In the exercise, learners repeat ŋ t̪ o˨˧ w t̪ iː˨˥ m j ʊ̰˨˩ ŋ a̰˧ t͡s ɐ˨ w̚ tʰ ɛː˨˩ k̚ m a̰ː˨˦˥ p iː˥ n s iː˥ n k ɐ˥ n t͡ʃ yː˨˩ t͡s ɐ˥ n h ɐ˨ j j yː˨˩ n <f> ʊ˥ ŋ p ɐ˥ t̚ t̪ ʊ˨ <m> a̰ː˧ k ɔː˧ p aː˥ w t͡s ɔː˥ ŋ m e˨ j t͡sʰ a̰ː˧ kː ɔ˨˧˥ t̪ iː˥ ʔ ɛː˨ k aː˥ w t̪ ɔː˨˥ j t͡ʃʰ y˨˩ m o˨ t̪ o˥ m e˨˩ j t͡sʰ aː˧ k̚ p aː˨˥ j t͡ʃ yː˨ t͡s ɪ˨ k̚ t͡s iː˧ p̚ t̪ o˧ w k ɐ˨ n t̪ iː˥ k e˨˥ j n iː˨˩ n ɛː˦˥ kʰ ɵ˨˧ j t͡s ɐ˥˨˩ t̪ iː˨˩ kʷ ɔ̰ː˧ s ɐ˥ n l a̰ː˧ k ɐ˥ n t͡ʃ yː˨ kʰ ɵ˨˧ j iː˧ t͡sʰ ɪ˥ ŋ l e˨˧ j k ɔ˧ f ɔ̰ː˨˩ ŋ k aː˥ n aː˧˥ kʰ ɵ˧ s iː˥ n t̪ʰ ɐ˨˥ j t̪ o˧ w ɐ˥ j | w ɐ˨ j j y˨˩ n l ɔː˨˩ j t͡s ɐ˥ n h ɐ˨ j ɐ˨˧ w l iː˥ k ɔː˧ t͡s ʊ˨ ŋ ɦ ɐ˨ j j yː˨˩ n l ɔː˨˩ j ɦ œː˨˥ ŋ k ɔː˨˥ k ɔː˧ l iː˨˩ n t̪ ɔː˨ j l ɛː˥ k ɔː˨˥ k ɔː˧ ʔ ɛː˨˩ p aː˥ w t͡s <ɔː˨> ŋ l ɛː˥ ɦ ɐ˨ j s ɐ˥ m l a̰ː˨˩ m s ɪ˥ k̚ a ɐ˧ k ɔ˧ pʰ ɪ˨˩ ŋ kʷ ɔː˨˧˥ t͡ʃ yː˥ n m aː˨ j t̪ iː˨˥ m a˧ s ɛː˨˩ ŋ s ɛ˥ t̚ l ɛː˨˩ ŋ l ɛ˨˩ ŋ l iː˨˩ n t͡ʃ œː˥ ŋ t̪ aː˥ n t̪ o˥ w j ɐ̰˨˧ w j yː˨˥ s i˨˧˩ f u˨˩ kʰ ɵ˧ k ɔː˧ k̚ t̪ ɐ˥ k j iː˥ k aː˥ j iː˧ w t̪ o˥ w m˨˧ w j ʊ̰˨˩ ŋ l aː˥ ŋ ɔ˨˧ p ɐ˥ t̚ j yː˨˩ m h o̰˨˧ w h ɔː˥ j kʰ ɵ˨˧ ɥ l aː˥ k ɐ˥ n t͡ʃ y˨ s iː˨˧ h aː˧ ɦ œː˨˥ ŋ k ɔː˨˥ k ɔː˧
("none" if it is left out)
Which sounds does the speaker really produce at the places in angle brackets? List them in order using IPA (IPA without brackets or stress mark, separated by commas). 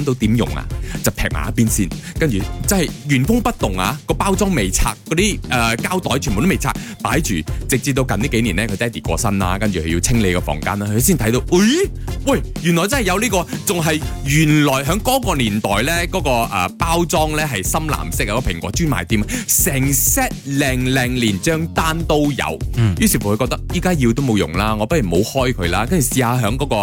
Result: f, ŋ, ɔː˥